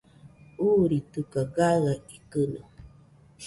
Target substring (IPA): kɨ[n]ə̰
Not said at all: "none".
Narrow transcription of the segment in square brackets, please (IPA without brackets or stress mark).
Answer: n